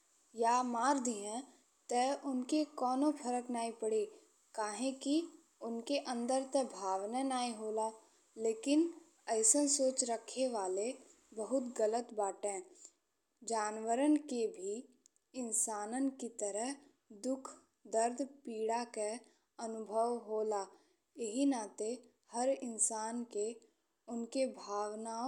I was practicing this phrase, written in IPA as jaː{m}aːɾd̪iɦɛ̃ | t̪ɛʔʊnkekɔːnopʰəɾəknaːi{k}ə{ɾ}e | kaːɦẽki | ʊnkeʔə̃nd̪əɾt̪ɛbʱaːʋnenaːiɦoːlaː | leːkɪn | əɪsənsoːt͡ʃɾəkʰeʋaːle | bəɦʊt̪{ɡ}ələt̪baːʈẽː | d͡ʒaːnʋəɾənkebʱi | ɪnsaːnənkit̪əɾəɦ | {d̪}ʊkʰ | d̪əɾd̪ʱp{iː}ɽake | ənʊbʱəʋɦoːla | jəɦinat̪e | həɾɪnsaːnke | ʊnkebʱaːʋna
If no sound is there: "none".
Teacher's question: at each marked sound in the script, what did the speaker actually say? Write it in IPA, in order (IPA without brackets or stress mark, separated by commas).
m, p, ɽ, ɡ, d̪, iː